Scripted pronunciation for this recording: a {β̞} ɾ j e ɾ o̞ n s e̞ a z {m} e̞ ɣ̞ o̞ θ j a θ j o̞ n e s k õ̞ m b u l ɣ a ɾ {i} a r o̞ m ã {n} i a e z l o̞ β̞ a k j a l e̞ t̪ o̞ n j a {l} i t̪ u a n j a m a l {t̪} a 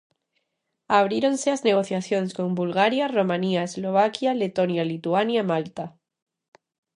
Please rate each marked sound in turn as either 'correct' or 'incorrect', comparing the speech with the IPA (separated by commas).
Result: correct, incorrect, incorrect, correct, correct, correct